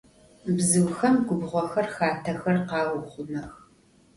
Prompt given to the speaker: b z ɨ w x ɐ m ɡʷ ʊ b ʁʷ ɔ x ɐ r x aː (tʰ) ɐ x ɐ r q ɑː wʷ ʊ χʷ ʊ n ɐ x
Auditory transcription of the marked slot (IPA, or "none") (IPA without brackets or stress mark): tʰ